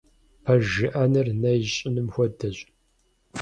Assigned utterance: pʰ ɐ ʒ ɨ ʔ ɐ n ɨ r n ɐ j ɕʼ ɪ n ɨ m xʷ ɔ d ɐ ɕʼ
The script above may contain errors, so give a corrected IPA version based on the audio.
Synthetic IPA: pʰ ɐ ʒ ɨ ʔ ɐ n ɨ r n ɐ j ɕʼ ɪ n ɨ m xʷ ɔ d ɐ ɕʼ

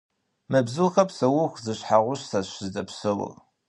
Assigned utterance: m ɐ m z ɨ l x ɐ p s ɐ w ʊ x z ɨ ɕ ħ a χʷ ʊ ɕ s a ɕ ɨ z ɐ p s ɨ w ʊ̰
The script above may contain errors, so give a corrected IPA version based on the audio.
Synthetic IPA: m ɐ b z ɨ l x ɐ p s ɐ w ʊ x z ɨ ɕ ħ a ʁʷ ʊ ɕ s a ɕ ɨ z ɐ p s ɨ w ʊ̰

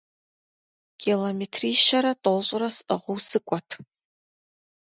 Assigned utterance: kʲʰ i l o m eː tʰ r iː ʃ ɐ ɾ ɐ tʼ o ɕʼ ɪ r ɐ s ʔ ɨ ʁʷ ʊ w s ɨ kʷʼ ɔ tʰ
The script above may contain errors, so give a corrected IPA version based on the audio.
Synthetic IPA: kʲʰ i l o m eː tʰ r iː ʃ ɐ ɾ ɐ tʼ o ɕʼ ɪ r ɐ s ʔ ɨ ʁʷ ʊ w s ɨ kʷʼ ɔ tʰ

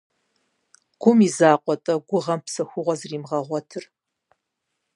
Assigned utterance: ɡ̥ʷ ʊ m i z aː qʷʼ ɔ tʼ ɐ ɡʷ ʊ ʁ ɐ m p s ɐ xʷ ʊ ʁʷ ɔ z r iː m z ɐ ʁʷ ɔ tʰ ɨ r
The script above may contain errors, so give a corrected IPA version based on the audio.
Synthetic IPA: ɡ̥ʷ ʊ m i z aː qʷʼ ɔ tʼ ɐ ɡʷ ʊ ʁ ɐ m p s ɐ xʷ ʊ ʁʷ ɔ z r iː m ʁ ɐ ʁʷ ɔ tʰ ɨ r

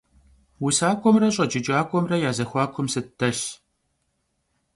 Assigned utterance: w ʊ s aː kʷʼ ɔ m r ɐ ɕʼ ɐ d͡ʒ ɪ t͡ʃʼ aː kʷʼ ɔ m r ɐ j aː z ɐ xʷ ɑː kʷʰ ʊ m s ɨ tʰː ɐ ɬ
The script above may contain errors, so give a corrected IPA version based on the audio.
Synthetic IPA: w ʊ s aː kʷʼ ɔ m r ɐ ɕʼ ɐ d͡ʒ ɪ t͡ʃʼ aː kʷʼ ɔ m r ɐ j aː z ɐ xʷ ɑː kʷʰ ʊ m s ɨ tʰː ɐ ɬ

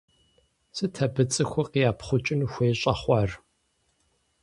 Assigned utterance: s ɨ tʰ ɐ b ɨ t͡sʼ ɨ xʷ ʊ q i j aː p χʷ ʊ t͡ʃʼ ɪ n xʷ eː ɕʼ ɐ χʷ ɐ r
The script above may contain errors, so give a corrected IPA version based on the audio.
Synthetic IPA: s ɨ tʰ ɐ b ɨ t͡sʼ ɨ xʷ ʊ q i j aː p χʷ ʊ t͡ʃʼ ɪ n xʷ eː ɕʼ ɐ χʷ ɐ r

